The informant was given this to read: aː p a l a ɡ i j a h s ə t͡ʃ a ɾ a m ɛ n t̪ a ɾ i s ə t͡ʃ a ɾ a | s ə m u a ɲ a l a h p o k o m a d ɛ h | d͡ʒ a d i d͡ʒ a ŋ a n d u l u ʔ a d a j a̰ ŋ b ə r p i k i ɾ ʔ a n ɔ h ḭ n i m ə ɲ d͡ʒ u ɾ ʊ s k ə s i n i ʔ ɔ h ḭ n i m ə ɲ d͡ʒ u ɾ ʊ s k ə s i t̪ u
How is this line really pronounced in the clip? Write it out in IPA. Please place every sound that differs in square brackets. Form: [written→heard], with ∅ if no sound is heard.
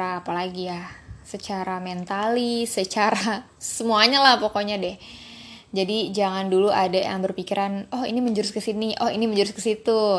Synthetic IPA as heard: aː p a l a ɡ i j a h s ə t͡ʃ a ɾ a m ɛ n t̪ a [ɾ→l] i s ə t͡ʃ a ɾ a | s ə m u a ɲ a l a h p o k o [m→ɲ] a d ɛ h | d͡ʒ a d i d͡ʒ a ŋ a n d u l u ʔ a d a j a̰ ŋ b ə r p i k i ɾ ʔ a n ɔ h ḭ n i m ə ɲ d͡ʒ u ɾ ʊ s k ə s i n i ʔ ɔ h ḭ n i m ə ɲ d͡ʒ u ɾ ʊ s k ə s i t̪ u